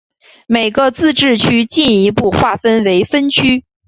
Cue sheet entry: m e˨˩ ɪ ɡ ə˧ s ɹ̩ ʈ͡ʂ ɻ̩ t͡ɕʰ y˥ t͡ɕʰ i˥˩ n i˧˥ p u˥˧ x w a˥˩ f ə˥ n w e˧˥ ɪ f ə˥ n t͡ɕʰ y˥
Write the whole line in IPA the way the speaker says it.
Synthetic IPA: m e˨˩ ɪ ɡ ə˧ t͡s ɹ̩ ʈ͡ʂ ɻ̩ t͡ɕʰ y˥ t͡ɕ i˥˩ n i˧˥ p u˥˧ x w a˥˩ f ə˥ n w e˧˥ ɪ f ə˥ n t͡ɕʰ y˥